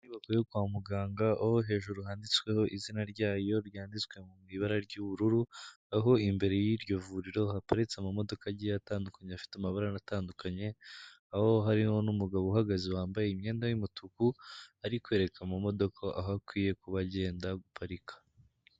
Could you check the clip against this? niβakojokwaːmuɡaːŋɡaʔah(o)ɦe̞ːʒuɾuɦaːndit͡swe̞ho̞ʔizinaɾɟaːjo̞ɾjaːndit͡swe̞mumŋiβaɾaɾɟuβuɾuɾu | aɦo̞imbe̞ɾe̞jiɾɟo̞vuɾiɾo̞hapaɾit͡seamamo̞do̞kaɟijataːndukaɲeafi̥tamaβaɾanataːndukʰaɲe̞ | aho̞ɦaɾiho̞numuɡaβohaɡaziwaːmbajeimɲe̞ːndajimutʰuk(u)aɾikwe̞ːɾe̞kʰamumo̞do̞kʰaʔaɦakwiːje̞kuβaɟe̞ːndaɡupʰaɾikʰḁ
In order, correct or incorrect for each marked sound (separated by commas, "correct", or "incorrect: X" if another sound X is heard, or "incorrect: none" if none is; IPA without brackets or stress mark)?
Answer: correct, correct